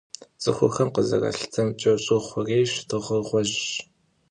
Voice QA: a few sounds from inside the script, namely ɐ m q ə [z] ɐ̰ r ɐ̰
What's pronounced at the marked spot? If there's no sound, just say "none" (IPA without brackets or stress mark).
z